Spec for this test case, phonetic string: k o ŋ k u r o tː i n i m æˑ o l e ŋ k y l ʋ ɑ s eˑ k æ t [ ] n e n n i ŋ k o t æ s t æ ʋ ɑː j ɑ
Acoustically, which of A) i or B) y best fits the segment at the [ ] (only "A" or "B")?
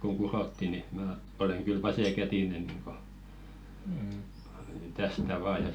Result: A